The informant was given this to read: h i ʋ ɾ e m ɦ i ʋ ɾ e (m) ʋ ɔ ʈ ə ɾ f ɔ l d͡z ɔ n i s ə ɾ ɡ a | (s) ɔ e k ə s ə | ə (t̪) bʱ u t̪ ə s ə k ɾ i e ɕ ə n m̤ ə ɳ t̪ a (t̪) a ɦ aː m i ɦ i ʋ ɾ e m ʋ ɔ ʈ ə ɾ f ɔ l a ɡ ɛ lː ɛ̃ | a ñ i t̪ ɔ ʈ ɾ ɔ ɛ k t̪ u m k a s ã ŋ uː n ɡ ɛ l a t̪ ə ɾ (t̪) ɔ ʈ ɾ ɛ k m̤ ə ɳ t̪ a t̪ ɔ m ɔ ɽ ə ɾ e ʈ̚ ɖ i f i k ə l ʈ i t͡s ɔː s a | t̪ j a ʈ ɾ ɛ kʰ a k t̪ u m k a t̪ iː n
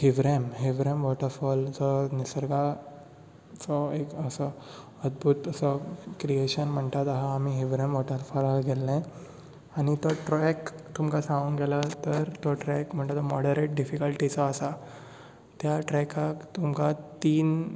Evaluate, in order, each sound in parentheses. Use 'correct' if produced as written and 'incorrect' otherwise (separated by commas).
correct, incorrect, incorrect, correct, correct